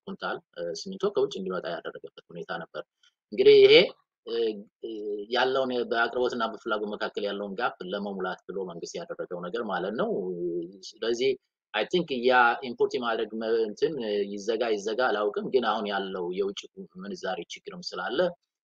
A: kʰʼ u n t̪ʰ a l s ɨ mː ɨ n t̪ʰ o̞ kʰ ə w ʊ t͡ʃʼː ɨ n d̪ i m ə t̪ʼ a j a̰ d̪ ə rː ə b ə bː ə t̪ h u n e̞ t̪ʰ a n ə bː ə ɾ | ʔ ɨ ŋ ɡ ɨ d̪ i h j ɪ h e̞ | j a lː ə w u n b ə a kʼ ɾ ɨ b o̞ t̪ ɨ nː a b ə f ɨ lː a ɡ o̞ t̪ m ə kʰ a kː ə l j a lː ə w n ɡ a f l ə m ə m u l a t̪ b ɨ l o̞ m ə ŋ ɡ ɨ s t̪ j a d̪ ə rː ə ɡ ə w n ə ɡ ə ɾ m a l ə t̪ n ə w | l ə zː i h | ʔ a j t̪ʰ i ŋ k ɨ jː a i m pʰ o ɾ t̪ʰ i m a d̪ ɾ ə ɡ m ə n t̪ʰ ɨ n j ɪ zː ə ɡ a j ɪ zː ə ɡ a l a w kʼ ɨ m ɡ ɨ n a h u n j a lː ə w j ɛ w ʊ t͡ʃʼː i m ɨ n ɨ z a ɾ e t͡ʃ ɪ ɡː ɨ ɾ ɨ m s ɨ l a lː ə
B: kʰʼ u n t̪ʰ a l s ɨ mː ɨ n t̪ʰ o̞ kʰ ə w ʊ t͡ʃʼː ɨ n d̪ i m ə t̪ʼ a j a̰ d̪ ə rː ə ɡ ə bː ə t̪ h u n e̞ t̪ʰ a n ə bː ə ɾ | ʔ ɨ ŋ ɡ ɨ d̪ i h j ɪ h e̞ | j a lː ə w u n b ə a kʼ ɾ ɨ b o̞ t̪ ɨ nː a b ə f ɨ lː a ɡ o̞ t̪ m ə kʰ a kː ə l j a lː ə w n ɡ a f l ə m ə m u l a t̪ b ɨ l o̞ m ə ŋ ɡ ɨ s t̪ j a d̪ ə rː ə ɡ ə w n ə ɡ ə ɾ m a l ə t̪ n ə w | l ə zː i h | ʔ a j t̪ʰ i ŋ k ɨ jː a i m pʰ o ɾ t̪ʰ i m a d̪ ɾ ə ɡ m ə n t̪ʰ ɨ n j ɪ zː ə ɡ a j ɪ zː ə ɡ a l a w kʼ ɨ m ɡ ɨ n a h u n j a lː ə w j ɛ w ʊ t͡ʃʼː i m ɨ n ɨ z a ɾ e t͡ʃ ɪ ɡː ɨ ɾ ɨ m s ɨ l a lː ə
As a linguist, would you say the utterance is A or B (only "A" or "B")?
B